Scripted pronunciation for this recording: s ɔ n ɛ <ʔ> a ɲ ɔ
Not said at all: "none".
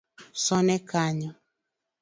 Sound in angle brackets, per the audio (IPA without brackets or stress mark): k